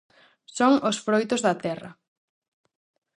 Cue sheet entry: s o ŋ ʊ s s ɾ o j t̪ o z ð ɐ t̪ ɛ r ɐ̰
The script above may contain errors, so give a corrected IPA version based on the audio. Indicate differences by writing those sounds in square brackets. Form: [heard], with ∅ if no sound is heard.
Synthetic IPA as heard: s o ŋ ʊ s [f] ɾ o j t̪ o z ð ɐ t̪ ɛ r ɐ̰